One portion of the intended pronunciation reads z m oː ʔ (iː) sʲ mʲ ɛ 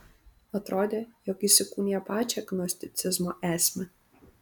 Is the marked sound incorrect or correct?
incorrect